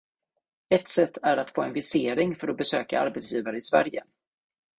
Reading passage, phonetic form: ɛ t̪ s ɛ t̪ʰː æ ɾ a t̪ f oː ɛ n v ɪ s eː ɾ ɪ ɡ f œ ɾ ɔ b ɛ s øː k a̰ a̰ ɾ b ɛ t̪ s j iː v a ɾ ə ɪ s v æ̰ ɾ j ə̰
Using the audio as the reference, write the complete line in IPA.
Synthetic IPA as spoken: ɛ t̪ s ɛ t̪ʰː æ ɾ a t̪ f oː ɛ n v ɪ s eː ɾ ɪ ŋ f œ ɾ ɔ b ɛ s øː k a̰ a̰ ɾ b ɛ t̪ s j iː v a ɾ ə ɪ s v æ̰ ɾ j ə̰